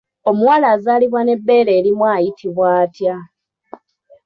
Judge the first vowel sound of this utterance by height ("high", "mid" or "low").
mid